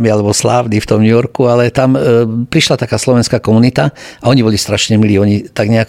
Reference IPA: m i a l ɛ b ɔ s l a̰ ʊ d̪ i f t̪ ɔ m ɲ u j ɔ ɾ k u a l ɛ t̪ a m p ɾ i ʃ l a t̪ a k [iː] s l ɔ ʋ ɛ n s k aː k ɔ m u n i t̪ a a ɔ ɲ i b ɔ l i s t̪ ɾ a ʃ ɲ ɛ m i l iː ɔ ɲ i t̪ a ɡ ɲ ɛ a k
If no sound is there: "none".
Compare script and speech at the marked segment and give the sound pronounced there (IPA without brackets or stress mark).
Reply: aː